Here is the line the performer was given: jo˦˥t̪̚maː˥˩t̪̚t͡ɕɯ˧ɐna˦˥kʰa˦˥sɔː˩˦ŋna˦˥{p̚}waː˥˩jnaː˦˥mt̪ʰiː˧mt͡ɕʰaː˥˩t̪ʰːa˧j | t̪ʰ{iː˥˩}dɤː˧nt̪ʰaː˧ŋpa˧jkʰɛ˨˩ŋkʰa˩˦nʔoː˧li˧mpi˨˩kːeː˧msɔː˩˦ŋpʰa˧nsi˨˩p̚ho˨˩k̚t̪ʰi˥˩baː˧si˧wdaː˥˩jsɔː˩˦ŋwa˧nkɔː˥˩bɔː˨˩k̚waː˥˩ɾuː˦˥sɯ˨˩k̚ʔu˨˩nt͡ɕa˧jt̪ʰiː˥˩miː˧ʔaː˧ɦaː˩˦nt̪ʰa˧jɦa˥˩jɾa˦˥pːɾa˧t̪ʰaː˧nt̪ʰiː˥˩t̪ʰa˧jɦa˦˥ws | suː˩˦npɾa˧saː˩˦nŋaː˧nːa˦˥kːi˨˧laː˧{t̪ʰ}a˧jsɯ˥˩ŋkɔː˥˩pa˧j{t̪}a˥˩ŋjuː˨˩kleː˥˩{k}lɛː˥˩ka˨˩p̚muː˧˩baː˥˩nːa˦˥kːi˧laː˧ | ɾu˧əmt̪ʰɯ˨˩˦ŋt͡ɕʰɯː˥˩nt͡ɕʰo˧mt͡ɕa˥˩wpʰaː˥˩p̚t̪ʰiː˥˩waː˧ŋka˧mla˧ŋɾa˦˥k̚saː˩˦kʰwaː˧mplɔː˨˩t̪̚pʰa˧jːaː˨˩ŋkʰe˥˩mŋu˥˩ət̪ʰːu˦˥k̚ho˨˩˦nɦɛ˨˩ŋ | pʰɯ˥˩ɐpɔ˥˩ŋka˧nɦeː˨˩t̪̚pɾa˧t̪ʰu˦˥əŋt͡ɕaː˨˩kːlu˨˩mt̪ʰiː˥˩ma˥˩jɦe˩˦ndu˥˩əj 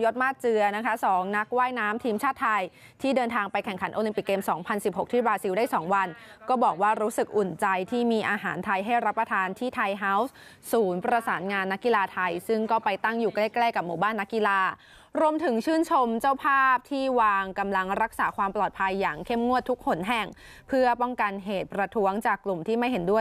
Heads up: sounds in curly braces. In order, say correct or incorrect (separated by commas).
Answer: incorrect, correct, correct, correct, correct